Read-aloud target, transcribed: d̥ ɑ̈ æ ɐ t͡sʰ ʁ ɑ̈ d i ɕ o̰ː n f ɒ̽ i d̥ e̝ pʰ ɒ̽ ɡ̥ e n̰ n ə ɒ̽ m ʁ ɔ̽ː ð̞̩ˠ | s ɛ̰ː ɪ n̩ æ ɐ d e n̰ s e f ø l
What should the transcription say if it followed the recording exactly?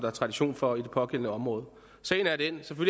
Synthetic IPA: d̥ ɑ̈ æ ɐ t͡sʰ ʁ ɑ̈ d i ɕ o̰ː n f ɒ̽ i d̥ e̝ pʰ ɒ̽ ɡ̥ e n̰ n ə ɒ̽ m ʁ ɔ̽ː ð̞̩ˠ | s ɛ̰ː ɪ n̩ æ ɐ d e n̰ s e f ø l